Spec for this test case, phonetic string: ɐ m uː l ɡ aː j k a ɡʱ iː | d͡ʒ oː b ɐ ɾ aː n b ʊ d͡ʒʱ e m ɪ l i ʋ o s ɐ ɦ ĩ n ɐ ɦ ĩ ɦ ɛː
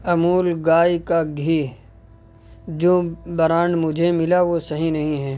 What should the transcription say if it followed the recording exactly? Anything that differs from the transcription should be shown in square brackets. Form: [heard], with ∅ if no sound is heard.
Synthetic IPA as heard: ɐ m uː l ɡ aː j k a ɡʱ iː | d͡ʒ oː b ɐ ɾ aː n [m] ʊ d͡ʒʱ e m ɪ l [a] ʋ o s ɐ ɦ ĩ n ɐ ɦ ĩ ɦ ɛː